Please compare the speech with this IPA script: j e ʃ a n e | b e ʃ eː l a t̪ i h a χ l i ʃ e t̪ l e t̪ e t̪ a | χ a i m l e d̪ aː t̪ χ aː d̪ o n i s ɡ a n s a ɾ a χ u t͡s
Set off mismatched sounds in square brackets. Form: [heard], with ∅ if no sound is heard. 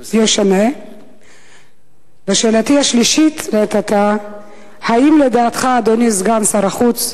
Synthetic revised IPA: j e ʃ a n e | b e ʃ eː l a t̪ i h a [ʃ] l i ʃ [i] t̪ l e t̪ [a] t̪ a | [h] a i m l e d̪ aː t̪ χ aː d̪ o n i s ɡ a n s a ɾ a χ u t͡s